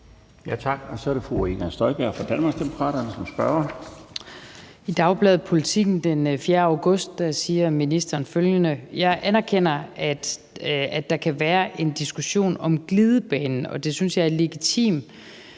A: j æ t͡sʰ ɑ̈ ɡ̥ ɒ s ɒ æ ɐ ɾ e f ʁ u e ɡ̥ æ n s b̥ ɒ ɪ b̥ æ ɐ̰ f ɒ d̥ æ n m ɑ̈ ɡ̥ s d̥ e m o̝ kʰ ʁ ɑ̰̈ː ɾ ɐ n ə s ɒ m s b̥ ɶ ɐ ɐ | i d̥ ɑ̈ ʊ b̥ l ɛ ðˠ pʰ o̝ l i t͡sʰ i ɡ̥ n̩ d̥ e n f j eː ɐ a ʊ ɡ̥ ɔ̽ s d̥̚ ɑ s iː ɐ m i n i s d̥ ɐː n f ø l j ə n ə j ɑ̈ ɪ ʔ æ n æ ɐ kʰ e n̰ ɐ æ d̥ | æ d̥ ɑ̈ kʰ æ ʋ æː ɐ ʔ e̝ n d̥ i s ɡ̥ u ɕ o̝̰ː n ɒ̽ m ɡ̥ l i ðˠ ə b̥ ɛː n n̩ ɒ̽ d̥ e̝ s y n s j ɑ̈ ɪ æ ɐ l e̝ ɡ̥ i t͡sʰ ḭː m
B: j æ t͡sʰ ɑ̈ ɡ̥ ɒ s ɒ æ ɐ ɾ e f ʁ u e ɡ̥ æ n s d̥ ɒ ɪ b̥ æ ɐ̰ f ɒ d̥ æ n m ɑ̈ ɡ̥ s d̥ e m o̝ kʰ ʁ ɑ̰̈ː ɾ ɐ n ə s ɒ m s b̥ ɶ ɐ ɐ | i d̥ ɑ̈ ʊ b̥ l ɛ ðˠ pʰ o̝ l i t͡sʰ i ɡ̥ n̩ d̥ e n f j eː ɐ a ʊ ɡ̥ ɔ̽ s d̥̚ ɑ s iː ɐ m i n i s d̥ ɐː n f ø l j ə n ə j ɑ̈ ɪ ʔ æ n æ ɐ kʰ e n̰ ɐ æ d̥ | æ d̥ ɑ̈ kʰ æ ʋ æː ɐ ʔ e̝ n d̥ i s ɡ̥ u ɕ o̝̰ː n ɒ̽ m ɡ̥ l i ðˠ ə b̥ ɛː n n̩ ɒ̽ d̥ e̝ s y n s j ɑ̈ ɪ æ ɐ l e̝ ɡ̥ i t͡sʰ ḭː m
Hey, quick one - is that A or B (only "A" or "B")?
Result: B